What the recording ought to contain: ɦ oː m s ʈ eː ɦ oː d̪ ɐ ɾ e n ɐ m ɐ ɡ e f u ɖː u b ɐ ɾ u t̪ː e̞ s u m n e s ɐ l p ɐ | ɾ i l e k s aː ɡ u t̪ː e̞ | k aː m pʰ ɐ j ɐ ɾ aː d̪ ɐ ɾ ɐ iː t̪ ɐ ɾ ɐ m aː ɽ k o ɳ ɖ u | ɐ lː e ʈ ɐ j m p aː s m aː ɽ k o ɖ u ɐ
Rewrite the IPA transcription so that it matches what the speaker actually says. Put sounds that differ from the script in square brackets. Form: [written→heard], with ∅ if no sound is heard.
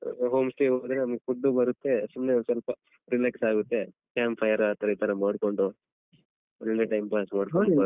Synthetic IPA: ɦ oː m s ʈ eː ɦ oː d̪ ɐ ɾ e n ɐ m ɐ ɡ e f u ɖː u b ɐ ɾ u t̪ː e̞ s u m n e s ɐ l p ɐ | ɾ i l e k s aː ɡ u t̪ː e̞ | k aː m pʰ ɐ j ɐ ɾ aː [d̪→t̪] ɐ ɾ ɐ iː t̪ ɐ ɾ ɐ m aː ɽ k o ɳ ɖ u | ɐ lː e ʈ ɐ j m p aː s m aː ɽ k o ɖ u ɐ

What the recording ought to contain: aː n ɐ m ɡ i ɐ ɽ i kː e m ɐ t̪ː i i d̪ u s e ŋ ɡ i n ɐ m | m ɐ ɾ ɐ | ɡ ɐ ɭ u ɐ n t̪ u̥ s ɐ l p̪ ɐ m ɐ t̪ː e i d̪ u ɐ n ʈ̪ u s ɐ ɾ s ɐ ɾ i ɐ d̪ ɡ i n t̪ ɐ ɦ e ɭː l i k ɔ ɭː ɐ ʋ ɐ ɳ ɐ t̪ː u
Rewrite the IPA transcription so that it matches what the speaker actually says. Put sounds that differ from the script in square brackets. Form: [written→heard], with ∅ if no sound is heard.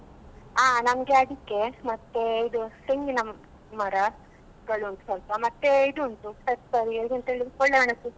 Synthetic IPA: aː n ɐ m ɡ [i→e] ɐ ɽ i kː e m ɐ t̪ː [i→e] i d̪ u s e ŋ ɡ i n ɐ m | m ɐ ɾ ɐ | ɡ ɐ ɭ u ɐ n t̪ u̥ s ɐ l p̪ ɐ m ɐ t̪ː e i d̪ u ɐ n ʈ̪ u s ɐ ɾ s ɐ ɾ i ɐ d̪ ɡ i n t̪ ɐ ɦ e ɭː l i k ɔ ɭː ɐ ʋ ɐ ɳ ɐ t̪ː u

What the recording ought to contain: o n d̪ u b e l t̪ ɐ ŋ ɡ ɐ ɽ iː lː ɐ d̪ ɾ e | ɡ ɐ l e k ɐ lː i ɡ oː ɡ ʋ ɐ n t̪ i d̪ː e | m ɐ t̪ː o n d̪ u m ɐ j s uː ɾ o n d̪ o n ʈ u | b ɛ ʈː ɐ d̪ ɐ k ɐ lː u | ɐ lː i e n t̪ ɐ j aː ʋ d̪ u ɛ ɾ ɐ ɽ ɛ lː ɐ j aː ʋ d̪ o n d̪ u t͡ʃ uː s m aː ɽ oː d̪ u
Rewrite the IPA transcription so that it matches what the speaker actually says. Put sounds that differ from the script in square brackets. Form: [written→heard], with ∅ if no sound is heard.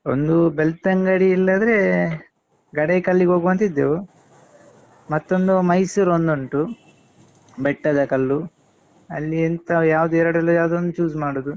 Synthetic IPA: o n d̪ u b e l t̪ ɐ ŋ ɡ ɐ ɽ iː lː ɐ d̪ ɾ e | ɡ ɐ [l→ɽ] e k ɐ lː i ɡ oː ɡ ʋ ɐ n t̪ i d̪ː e | m ɐ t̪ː o n d̪ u m ɐ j s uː ɾ o n d̪ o [n→ɳ] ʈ u | b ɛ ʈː ɐ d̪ ɐ k ɐ lː u | ɐ lː i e n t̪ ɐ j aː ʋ d̪ u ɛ ɾ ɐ ɽ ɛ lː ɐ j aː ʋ d̪ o n d̪ u t͡ʃ uː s m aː ɽ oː d̪ u

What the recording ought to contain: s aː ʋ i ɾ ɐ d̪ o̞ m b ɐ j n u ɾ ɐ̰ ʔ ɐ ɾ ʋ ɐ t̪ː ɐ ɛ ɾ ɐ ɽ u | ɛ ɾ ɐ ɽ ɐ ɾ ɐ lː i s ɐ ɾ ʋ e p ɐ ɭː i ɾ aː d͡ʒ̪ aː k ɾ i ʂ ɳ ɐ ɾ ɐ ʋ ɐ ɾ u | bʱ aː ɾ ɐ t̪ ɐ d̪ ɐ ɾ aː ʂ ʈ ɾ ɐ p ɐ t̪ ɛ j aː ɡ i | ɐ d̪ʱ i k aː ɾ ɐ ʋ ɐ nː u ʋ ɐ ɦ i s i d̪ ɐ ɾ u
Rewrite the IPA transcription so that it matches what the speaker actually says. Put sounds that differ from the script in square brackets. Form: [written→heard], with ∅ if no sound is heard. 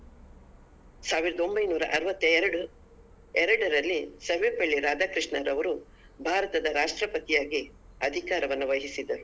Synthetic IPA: s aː ʋ i ɾ ɐ d̪ o̞ m b ɐ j n [u→uː] ɾ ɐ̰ ʔ ɐ ɾ ʋ ɐ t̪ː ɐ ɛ ɾ ɐ ɽ u | ɛ ɾ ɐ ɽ ɐ ɾ ɐ lː i s ɐ ɾ ʋ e p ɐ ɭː i ɾ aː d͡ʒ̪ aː k ɾ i ʂ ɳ ɐ ɾ ɐ ʋ ɐ ɾ u | bʱ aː ɾ ɐ t̪ ɐ d̪ ɐ ɾ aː ʂ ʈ ɾ ɐ p ɐ t̪ [ɛ→i] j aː ɡ i | ɐ d̪ʱ i k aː ɾ ɐ ʋ ɐ nː u ʋ ɐ ɦ i s i d̪ ɐ ɾ u

